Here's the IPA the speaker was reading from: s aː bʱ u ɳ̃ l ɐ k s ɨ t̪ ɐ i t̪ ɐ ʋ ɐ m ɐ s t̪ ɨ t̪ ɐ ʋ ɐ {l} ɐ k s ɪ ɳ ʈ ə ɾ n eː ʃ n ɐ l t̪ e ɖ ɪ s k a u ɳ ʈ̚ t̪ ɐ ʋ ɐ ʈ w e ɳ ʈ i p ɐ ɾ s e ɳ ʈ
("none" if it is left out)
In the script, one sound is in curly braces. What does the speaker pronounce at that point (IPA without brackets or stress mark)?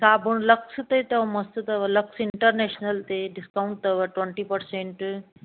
l